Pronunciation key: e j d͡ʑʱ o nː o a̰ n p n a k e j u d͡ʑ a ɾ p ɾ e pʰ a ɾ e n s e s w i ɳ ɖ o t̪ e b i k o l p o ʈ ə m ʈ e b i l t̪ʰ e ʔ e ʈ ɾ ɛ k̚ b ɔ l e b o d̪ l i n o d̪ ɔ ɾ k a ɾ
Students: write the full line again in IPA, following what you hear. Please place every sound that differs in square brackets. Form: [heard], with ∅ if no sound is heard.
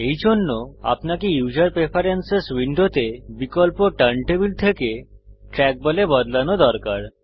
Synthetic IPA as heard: e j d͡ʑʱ o nː o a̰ [∅] p n a k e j u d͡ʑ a ɾ p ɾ e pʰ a ɾ e n s e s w i ɳ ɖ o t̪ e b i k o l p o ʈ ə [ɳ] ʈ e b i l t̪ʰ e [k] e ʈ ɾ ɛ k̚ b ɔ l e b [ɔ] d̪ l [a] n o d̪ ɔ ɾ k a ɾ